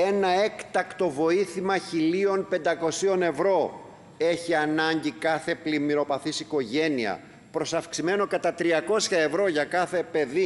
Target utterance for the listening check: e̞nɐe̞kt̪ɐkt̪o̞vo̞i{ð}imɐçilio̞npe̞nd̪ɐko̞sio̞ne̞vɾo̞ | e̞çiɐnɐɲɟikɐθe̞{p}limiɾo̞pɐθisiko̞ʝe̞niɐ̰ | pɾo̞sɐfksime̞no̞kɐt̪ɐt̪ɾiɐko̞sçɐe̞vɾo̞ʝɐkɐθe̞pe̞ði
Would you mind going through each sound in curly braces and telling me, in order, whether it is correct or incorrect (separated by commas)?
incorrect, correct